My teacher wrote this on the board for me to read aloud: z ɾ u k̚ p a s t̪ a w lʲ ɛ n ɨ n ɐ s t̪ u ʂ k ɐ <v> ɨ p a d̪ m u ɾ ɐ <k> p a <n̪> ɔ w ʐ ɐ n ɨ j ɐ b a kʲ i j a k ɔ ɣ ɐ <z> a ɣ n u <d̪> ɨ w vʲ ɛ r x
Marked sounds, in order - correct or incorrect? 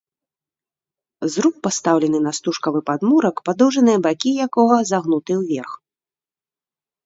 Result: correct, correct, incorrect: d̪, correct, incorrect: t̪

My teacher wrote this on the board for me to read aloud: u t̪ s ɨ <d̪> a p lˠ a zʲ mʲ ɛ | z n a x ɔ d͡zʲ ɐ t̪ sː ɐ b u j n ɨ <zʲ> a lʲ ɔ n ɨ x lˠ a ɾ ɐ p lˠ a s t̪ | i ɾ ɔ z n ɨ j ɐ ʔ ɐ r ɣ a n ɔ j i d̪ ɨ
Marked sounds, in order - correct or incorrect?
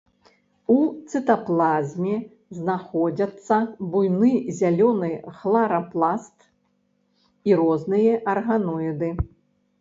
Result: incorrect: t̪, correct

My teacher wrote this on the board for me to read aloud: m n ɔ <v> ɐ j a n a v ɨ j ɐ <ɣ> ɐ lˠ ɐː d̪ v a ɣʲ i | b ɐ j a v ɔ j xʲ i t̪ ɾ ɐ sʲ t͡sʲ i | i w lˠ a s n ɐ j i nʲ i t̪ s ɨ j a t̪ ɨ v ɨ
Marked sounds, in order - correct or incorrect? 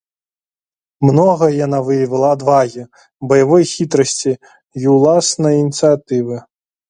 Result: incorrect: ɣ, incorrect: v

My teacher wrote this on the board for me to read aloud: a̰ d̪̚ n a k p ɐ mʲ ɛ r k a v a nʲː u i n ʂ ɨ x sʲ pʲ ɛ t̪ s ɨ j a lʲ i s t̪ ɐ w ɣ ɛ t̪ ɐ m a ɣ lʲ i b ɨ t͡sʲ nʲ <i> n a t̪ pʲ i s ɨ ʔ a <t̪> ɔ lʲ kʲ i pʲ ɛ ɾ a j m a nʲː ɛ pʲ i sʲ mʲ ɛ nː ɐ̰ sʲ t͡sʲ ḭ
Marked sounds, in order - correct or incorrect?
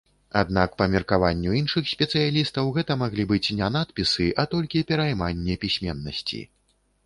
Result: incorrect: ɛ, correct

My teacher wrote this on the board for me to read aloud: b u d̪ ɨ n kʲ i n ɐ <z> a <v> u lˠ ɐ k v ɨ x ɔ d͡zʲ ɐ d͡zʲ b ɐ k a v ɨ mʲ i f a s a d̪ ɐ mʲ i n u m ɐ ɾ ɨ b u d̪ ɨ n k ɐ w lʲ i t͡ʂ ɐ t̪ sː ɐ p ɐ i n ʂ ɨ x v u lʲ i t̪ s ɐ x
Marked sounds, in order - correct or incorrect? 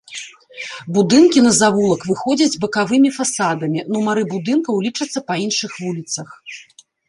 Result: correct, correct

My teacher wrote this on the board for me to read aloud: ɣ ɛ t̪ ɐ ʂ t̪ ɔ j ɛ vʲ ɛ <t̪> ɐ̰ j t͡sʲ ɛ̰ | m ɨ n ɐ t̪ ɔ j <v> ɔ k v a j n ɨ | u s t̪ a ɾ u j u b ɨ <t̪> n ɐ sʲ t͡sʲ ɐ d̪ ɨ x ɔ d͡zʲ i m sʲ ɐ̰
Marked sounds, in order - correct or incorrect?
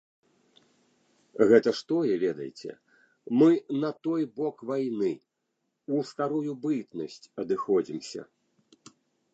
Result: incorrect: d̪, incorrect: b, correct

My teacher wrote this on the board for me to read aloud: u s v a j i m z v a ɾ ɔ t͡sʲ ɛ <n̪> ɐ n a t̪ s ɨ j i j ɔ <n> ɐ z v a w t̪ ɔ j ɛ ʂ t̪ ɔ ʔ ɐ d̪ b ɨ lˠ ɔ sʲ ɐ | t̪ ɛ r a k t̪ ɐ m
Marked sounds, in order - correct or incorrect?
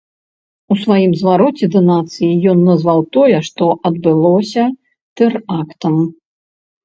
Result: incorrect: d̪, incorrect: nː

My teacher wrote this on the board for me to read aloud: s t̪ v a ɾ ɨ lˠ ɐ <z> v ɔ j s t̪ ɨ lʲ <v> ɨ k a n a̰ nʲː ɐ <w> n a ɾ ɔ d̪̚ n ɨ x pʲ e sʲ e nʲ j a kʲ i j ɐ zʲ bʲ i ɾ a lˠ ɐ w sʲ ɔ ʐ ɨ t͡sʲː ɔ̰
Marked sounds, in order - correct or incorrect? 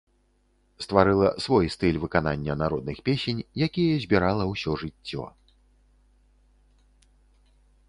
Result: incorrect: s, correct, incorrect: none

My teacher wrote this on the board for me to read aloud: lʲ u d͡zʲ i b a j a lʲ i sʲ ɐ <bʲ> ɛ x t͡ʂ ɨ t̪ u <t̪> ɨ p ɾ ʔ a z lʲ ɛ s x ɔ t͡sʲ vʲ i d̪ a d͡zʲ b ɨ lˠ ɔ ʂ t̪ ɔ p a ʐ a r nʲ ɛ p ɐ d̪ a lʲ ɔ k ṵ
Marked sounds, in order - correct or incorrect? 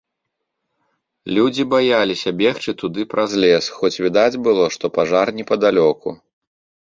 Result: correct, incorrect: d̪

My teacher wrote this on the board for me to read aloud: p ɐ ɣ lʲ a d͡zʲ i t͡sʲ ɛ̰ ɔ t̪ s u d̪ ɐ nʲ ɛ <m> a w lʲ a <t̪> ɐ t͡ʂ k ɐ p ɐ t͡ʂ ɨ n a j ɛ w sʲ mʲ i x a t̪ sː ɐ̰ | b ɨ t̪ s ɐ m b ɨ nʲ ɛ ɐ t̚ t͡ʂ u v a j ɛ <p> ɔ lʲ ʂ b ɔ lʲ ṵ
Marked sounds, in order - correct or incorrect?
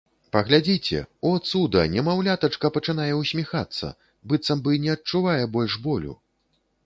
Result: correct, correct, incorrect: b

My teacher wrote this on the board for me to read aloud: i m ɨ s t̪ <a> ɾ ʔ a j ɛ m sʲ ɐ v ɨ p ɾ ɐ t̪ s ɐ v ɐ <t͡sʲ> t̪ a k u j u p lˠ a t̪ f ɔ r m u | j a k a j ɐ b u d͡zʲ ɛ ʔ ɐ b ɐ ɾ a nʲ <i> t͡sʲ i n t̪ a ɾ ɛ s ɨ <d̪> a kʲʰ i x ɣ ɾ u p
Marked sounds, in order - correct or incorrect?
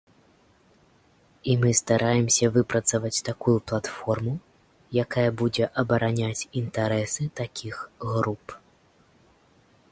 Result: correct, correct, incorrect: a, incorrect: t̪

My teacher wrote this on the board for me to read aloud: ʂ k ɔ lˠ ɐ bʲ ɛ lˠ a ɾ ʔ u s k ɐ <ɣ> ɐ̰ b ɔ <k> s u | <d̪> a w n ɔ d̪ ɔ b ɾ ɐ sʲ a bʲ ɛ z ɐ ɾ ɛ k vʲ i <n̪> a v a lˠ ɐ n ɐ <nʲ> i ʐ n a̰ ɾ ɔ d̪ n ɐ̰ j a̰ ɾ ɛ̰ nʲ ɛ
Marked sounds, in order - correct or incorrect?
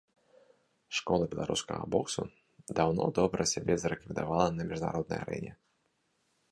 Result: correct, correct, correct, incorrect: d̪, incorrect: mʲ

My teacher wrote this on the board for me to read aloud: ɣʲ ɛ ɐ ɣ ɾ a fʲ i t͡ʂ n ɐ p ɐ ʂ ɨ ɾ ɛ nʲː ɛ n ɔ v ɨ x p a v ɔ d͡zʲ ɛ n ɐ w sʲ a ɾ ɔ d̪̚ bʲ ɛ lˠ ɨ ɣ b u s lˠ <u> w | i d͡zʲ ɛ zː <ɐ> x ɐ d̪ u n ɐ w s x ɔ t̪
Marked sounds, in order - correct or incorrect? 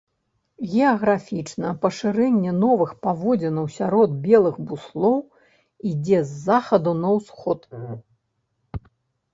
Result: incorrect: ɔ, incorrect: a

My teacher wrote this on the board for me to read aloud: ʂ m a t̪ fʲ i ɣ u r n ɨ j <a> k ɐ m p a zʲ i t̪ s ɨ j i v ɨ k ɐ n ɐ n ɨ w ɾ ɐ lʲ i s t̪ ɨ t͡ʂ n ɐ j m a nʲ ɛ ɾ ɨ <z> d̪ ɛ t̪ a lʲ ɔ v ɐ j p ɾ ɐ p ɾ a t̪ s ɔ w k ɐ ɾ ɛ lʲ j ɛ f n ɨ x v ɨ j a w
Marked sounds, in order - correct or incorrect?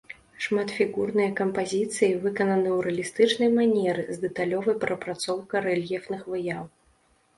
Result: incorrect: ɐ, correct

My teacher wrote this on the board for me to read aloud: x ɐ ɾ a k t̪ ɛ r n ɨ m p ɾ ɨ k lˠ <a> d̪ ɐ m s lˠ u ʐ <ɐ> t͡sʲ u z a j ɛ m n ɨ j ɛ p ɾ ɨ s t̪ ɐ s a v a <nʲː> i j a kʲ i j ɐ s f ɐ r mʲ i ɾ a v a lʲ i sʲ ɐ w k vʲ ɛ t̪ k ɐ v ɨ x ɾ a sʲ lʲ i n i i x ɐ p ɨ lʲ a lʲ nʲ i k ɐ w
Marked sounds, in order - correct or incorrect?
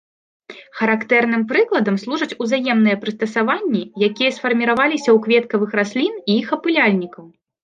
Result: incorrect: ɐ, correct, correct

